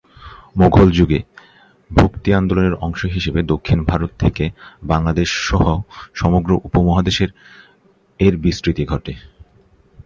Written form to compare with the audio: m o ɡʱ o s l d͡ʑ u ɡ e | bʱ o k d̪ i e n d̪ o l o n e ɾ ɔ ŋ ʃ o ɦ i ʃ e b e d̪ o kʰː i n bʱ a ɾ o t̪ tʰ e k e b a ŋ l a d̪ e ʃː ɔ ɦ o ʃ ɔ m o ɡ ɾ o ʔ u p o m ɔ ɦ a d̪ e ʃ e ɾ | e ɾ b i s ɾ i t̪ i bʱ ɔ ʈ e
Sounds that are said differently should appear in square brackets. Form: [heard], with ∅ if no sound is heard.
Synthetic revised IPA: m o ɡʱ o [∅] l d͡ʑ u ɡ e | bʱ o k [t̪] i [a] n d̪ o l o n e ɾ ɔ ŋ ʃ o ɦ i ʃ e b e d̪ o kʰː i n bʱ a ɾ o t̪ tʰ e k e b a ŋ l a d̪ e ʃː ɔ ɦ o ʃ ɔ m o ɡ ɾ o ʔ u p o m ɔ ɦ a d̪ e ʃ e ɾ | e ɾ b i s ɾ i t̪ i [ɡʱ] ɔ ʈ e